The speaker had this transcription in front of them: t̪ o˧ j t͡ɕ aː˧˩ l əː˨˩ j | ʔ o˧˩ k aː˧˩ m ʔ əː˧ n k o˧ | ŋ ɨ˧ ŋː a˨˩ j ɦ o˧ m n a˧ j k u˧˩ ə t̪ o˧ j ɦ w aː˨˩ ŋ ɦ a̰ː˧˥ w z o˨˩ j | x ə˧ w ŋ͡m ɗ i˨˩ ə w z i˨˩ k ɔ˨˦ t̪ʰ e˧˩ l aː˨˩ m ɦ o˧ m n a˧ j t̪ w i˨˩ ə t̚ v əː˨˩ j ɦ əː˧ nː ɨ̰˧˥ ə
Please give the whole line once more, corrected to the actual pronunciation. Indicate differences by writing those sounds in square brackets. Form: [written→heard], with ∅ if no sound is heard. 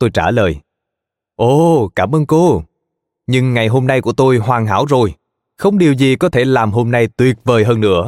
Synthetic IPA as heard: t̪ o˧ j t͡ɕ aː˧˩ l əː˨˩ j | ʔ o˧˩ k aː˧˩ m ʔ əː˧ n k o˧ | [ŋ→ɲ] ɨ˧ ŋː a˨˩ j ɦ o˧ m n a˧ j k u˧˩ ə t̪ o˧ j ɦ w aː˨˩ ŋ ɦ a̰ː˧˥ w z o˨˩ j | x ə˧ w ŋ͡m ɗ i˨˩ ə w z i˨˩ k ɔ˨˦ t̪ʰ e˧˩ l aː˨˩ m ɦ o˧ m n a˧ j t̪ w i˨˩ ə t̚ v əː˨˩ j ɦ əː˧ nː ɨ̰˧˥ ə